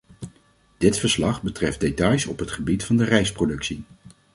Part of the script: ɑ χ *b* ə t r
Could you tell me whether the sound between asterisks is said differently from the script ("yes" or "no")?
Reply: no